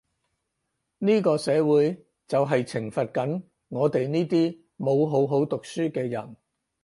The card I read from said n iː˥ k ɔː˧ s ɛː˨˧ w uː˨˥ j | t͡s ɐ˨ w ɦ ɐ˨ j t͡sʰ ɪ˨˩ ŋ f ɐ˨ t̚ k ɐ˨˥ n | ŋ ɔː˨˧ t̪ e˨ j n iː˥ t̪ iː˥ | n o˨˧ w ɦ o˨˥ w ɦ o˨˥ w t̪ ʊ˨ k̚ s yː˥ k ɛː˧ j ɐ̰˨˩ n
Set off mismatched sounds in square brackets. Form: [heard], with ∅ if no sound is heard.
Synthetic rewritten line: n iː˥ k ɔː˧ s ɛː˨˧ w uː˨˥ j | t͡s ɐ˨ w ɦ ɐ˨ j t͡sʰ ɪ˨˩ ŋ f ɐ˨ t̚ k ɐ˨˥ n | ŋ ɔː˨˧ t̪ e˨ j n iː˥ t̪ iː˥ | [m] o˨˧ w ɦ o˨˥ w ɦ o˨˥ w t̪ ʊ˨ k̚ s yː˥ k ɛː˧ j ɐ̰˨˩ n